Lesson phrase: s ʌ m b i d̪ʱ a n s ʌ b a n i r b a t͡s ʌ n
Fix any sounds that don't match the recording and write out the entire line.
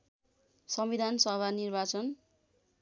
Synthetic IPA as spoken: s ʌ m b i d̪ʱ a n s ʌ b a n i r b a t͡s ʌ n